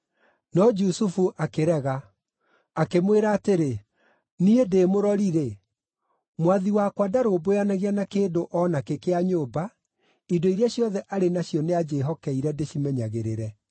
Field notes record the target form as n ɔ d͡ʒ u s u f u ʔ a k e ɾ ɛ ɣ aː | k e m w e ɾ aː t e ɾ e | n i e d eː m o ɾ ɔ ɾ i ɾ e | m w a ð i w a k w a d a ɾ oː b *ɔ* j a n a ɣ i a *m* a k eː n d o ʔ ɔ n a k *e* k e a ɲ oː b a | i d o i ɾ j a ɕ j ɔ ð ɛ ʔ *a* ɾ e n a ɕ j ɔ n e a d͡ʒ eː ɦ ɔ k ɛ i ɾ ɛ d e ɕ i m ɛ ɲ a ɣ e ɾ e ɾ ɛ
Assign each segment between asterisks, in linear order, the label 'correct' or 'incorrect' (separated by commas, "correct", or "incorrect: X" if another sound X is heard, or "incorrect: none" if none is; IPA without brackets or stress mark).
incorrect: o, incorrect: n, correct, correct